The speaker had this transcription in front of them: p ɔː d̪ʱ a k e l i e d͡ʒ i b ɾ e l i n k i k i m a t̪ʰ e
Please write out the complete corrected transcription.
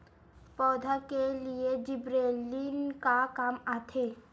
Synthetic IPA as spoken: p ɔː d̪ʱ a k e l i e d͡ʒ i b ɾ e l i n k a k a m a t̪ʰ e

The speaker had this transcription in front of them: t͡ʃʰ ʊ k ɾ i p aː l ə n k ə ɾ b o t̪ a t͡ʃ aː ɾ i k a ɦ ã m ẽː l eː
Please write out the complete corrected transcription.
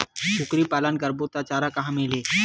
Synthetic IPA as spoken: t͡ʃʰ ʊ k ɾ i p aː l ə n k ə ɾ b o t̪ a t͡ʃ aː ɾ a k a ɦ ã m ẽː l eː

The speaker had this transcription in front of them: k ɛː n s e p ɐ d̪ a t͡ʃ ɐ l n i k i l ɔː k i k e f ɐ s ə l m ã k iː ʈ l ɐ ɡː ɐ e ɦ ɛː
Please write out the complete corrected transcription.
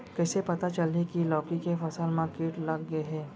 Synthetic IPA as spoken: k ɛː s e p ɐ t̪ a t͡ʃ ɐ l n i k i l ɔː k i k e f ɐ s ə l m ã k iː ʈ l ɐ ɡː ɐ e ɦ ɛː

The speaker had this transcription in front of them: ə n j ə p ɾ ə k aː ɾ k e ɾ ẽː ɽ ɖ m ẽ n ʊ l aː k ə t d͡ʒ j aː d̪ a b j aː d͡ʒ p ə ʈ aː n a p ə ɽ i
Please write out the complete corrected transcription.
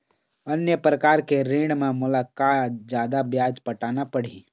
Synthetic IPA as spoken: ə n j ə p ɾ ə k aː ɾ k e ɾ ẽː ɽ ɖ m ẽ m ʊ l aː k a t d͡ʒ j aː d̪ a b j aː d͡ʒ p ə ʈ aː n a p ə ɽ i

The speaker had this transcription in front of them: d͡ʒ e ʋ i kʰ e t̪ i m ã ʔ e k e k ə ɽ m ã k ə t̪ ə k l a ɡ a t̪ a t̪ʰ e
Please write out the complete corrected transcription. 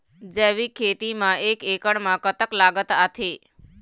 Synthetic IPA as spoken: d͡ʒ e ʋ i kʰ e t̪ i m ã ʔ e k e k ə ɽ m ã k ə t̪ ə k l a ɡ ə t̪ a t̪ʰ e

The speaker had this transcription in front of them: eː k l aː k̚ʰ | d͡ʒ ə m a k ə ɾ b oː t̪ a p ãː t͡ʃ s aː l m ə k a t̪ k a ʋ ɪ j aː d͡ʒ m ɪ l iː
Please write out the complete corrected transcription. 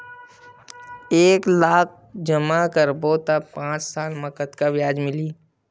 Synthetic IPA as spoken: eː k l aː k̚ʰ | d͡ʒ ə m a k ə ɾ b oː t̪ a p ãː t͡ʃ s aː l m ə k ə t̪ k a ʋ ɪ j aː d͡ʒ m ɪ l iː

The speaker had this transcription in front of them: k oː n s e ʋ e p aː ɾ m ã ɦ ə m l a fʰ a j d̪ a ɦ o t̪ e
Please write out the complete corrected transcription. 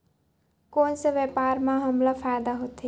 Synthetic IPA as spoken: k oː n s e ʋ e p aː ɾ m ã ɦ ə m l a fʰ a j d̪ a ɦ o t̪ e

